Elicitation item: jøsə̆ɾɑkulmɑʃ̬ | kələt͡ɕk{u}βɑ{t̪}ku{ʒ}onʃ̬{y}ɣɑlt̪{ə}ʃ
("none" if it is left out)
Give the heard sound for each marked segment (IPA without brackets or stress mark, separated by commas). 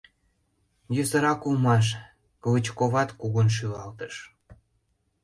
o, t̪, ɣ, y, ə